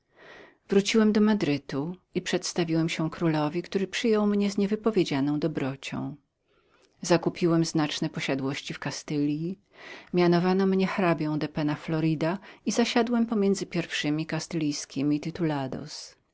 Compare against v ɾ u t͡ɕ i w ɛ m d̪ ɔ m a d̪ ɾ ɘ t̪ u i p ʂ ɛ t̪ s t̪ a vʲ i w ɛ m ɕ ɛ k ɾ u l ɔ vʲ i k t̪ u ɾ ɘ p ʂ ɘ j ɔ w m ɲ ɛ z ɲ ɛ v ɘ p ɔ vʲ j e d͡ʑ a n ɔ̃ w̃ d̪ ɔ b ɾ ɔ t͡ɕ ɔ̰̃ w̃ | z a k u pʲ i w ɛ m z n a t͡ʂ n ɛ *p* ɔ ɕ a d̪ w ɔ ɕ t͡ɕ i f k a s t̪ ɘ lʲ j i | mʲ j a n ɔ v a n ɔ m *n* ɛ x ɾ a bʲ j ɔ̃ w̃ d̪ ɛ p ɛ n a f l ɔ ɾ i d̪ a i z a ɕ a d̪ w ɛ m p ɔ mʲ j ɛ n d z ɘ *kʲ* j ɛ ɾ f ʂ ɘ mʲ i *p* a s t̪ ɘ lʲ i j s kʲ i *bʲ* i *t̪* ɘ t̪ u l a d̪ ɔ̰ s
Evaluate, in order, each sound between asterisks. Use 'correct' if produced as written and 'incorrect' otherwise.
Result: correct, incorrect, incorrect, incorrect, incorrect, correct

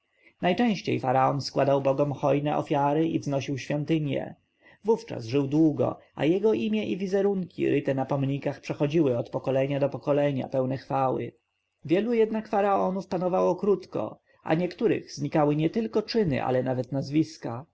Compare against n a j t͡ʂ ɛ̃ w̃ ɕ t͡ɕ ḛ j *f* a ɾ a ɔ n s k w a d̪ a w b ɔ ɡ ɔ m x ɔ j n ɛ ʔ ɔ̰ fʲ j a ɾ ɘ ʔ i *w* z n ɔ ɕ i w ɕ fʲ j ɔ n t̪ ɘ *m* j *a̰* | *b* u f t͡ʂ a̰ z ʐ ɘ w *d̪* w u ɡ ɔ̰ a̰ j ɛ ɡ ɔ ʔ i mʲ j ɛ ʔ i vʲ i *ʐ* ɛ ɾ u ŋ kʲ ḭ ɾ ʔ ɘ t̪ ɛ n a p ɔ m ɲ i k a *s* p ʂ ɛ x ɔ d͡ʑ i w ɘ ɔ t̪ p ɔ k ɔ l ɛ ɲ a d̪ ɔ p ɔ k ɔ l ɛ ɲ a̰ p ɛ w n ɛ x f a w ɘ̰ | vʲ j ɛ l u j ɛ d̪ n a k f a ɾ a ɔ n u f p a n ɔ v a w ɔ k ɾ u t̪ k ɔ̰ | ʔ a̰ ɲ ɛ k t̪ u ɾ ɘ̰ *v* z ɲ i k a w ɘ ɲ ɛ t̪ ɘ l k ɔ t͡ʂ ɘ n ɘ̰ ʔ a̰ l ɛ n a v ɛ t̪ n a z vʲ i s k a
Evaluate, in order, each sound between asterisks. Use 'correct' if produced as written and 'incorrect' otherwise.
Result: correct, incorrect, incorrect, incorrect, incorrect, correct, incorrect, incorrect, incorrect

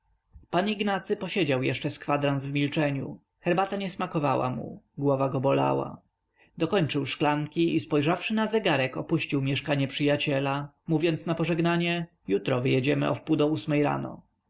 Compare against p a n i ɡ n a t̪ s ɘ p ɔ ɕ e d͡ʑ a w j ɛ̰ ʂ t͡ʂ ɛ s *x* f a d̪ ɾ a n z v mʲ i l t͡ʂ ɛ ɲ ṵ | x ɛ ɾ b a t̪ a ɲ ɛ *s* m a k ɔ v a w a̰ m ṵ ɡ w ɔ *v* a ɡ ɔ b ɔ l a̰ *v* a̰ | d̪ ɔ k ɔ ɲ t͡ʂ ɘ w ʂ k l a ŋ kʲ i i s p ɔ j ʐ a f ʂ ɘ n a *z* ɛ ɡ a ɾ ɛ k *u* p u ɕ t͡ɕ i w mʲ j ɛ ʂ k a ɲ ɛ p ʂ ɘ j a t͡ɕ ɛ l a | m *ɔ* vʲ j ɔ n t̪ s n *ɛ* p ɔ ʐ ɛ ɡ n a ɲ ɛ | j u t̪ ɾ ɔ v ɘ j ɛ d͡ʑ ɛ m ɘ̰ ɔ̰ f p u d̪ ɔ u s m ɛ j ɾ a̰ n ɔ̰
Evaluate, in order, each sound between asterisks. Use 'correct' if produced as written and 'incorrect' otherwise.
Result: incorrect, correct, correct, incorrect, correct, incorrect, incorrect, incorrect

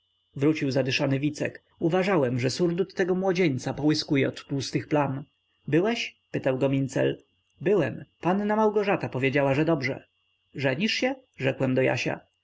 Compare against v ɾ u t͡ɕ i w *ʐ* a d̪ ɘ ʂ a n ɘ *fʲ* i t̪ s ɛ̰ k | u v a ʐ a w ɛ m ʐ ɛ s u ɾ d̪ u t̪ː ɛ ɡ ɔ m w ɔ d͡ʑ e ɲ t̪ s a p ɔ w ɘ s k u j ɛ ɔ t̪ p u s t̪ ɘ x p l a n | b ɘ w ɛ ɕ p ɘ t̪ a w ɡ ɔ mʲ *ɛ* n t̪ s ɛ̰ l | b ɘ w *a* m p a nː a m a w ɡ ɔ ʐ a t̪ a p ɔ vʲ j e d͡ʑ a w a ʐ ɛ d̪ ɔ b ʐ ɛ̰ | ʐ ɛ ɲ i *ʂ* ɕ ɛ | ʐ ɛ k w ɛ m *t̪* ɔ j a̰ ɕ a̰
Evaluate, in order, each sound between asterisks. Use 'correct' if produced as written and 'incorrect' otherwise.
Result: incorrect, incorrect, incorrect, incorrect, correct, incorrect

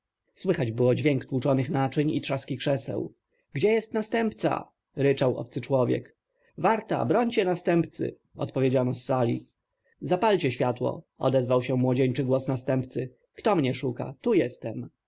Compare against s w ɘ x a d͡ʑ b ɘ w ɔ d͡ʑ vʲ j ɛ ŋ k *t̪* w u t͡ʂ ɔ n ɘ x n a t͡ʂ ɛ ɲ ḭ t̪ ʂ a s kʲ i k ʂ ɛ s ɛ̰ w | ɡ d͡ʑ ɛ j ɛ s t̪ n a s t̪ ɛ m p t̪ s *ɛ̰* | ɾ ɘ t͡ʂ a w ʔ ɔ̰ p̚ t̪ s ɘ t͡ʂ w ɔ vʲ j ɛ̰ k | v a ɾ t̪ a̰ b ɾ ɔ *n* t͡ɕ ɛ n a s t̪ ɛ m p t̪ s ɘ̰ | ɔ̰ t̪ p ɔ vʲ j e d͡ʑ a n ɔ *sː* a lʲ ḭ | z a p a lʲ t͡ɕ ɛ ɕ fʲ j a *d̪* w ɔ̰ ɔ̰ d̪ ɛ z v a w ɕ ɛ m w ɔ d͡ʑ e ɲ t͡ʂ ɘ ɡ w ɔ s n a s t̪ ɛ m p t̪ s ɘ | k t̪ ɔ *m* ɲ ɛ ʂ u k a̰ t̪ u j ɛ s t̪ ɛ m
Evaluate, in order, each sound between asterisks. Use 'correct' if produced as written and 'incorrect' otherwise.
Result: correct, incorrect, incorrect, correct, incorrect, correct

